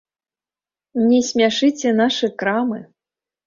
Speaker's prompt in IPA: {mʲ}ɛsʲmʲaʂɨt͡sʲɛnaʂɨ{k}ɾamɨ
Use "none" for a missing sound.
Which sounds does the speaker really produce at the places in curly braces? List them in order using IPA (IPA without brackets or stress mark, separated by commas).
nʲ, k